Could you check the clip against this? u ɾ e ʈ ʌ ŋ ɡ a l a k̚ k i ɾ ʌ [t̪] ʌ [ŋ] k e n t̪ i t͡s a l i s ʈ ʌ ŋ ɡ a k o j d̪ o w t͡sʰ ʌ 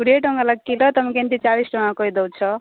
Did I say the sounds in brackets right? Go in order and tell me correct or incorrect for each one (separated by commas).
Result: correct, incorrect